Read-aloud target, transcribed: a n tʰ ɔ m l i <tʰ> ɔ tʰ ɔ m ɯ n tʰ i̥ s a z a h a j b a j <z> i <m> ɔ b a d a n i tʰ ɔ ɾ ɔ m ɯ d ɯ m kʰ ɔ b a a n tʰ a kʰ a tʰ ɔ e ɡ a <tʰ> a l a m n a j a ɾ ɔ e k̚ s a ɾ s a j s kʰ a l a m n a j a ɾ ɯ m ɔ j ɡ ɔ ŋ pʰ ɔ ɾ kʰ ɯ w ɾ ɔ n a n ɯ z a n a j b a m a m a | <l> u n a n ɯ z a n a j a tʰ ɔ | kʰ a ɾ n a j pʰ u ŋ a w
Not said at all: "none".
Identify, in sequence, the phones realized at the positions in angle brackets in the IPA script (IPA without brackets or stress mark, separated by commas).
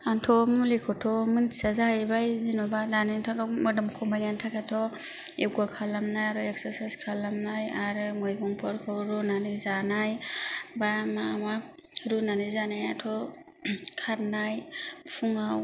kʰ, z, n, kʰ, ɾ